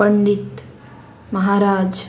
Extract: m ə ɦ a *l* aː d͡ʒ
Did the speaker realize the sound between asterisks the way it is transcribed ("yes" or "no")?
no